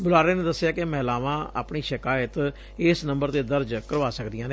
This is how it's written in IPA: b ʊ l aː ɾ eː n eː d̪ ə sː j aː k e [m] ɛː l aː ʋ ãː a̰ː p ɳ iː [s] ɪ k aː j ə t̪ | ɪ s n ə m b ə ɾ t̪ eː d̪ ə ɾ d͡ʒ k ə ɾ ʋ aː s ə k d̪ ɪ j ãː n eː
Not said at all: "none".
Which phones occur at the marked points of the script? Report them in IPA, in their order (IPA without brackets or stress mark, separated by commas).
m, ʃ